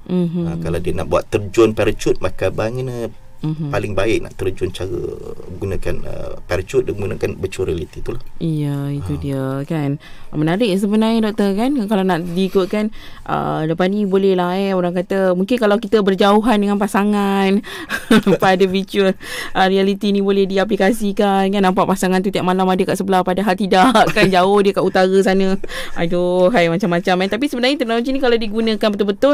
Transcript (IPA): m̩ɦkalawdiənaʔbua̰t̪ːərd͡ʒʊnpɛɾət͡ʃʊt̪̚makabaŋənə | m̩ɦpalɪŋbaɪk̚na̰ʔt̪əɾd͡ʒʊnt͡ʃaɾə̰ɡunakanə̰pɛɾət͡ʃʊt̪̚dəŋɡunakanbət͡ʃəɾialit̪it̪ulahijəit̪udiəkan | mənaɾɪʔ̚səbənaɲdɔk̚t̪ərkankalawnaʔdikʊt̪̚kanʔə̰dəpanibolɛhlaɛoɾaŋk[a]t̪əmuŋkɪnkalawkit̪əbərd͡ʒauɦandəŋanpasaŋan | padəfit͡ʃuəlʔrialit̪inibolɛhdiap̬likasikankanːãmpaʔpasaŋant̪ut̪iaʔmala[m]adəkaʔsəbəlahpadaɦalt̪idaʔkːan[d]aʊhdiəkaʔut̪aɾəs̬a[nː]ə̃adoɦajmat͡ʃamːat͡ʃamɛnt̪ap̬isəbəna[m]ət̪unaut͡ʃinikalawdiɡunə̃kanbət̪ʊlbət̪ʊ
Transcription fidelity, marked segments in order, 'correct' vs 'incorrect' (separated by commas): correct, correct, incorrect, incorrect, incorrect